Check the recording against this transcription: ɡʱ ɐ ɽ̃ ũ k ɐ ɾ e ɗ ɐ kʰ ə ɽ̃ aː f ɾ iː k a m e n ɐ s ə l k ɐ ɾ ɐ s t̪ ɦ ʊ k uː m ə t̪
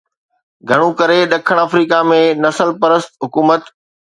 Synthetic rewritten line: ɡʱ ɐ ɽ̃ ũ k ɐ ɾ e ɗ ɐ kʰ ə ɽ̃ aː f ɾ iː k a m ẽ n ɐ s ə l p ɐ ɾ ə s t̪ ɦ ʊ k uː m ə t̪